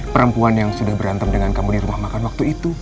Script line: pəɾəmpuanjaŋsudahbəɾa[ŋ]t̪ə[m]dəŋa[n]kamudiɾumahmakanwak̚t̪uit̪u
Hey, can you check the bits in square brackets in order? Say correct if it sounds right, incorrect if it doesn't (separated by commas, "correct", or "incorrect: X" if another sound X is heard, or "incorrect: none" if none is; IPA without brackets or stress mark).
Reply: incorrect: n, correct, correct